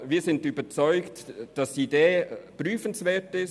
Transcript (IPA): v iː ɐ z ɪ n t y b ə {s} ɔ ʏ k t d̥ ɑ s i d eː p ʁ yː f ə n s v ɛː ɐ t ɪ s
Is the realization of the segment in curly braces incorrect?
yes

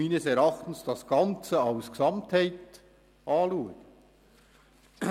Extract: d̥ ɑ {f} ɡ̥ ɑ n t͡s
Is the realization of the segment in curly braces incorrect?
yes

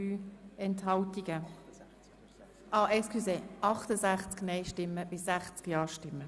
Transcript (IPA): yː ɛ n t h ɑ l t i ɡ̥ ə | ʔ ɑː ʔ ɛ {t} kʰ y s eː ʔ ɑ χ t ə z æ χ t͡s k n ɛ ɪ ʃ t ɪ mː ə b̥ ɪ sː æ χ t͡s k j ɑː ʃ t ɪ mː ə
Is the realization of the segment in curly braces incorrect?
yes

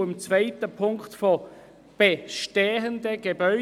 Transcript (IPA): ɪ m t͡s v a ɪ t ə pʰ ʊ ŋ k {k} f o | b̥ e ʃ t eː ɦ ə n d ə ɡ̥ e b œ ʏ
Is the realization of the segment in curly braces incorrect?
yes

